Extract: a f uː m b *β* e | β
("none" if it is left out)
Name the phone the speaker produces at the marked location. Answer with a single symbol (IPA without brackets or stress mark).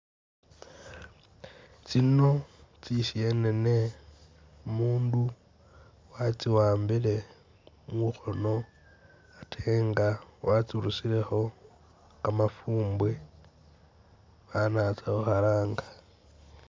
w